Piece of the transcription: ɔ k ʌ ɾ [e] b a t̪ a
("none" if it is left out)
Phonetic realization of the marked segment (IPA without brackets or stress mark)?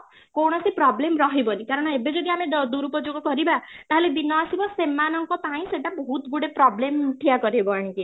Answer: i